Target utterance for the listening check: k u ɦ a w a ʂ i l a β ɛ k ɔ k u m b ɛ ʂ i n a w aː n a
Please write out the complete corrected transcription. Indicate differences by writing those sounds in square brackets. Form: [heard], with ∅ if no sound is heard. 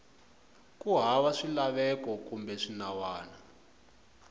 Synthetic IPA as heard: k u ɦ a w a ʂ i l a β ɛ k ɔ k u m b ɛ ʂ i n a w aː n a

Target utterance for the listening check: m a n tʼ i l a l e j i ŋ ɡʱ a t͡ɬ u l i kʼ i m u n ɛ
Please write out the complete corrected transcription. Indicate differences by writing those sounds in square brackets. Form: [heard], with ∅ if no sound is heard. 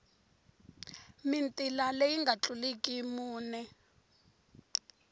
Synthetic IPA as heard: m [i] n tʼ i l a l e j i ŋ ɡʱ a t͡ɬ u l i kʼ i m [uː] n ɛ

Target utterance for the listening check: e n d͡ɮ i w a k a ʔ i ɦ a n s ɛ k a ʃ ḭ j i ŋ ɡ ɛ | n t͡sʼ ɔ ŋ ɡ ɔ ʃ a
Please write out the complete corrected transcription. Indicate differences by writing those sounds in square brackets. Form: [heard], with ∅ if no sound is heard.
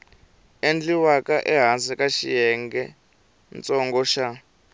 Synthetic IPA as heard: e n d͡ɮ i w a k a ʔ [ɛ] ɦ a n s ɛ k a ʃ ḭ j [ɛ] ŋ ɡ ɛ | n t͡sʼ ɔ ŋ ɡ ɔ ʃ a

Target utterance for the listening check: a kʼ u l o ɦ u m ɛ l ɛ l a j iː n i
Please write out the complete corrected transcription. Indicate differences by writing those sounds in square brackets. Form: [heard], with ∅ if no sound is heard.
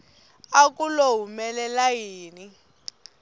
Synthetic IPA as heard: a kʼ u l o ɦ u m ɛ l ɛ l a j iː n i

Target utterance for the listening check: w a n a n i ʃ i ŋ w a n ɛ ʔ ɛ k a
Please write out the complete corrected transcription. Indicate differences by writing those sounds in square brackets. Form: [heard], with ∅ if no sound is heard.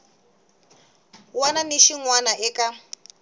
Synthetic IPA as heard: w a n a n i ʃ i ŋ w a n [a] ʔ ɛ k a

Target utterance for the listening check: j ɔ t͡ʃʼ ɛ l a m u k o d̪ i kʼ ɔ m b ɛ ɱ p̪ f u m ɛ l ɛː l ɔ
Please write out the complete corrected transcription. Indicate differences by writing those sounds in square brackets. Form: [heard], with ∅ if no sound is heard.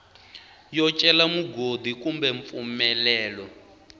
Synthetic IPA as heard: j ɔ t͡ʃʼ ɛ l a m u [ɡ] o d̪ i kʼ [u] m b ɛ ɱ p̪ f u m ɛ l ɛː l ɔ

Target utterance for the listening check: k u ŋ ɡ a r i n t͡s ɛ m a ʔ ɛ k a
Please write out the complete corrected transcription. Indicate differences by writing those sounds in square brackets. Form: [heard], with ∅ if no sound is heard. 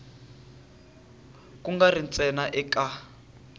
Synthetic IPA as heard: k u ŋ ɡ a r i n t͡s ɛ [n] a ʔ ɛ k a

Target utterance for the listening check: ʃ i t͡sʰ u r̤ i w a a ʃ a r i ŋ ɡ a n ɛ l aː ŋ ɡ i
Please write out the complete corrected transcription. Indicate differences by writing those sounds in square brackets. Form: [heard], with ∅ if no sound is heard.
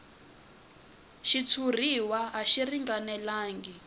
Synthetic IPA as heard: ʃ i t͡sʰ u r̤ i w a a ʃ [i] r i ŋ ɡ a n ɛ l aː ŋ ɡ i

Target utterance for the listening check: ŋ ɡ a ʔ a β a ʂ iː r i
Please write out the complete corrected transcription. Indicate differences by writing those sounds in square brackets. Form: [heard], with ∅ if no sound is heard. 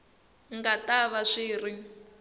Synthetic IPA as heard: ŋ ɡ a [t] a β a ʂ iː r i

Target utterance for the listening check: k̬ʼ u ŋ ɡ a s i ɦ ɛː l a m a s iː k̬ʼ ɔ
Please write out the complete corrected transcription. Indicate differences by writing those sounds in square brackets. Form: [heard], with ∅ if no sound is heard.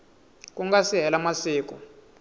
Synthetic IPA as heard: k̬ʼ u ŋ ɡ a s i ɦ [ɛ] l a m a s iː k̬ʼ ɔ

